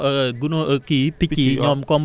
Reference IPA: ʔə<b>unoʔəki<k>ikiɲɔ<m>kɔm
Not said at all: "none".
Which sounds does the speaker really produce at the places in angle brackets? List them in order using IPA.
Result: ɡ, p, m

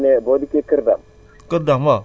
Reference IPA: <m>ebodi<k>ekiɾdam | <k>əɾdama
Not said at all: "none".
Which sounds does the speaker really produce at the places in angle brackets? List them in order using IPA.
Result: n, k, k

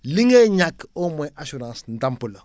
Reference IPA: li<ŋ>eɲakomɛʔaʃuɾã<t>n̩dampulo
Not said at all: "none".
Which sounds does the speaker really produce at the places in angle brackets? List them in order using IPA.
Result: ŋ, s

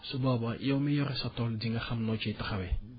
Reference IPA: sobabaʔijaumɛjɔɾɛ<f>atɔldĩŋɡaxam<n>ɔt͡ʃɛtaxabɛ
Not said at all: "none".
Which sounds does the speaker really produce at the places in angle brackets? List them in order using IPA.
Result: s, n

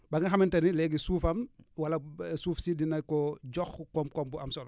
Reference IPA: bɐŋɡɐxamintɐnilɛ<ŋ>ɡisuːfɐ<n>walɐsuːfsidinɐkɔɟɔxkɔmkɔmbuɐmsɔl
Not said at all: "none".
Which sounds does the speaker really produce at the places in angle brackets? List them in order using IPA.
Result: none, m

